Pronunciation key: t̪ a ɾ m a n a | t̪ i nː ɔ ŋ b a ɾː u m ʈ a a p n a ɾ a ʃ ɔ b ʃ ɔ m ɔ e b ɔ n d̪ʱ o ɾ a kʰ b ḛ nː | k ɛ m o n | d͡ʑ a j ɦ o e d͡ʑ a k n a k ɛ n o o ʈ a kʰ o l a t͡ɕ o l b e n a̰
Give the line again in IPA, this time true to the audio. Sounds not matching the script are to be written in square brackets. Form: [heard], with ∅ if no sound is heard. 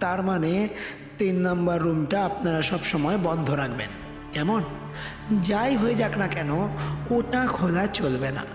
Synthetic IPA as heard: t̪ a ɾ m a n [e] | t̪ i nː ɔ [m] b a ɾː u m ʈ a a p n a ɾ a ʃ ɔ b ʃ ɔ m ɔ e b ɔ n d̪ʱ o ɾ a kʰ b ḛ [n] | k ɛ m o n | d͡ʑ a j ɦ o e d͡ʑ a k n a k ɛ n o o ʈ a kʰ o l a t͡ɕ o l b e n a̰